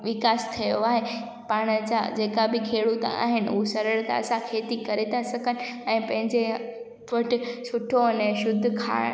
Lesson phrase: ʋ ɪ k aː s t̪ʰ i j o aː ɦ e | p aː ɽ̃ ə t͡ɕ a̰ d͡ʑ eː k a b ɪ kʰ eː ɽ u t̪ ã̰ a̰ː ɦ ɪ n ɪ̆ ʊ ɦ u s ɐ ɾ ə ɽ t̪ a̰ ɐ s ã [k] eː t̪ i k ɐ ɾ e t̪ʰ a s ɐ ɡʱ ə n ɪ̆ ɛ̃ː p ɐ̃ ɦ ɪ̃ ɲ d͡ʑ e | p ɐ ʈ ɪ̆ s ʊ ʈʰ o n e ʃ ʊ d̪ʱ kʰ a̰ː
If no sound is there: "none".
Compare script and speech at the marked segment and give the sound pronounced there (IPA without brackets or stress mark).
kʰ